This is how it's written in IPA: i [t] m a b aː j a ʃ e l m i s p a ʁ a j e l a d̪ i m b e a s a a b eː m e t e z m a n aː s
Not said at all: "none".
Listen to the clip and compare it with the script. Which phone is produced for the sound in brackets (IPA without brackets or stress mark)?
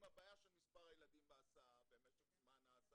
none